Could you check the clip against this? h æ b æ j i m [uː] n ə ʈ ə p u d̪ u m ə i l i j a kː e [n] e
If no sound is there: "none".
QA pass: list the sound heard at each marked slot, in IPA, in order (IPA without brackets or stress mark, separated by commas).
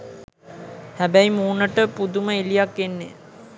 uː, nː